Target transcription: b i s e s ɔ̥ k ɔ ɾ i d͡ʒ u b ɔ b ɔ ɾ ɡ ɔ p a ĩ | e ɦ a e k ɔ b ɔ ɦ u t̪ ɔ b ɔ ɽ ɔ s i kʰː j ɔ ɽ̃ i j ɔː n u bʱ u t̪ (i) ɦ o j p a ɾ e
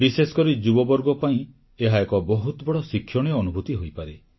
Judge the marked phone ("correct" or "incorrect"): correct